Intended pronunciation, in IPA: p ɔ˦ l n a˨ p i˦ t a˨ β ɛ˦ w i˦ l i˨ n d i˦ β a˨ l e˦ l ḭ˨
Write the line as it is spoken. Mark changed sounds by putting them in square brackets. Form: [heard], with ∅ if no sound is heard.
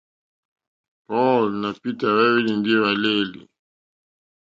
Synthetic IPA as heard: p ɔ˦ l n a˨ p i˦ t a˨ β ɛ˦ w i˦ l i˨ n d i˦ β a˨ l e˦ l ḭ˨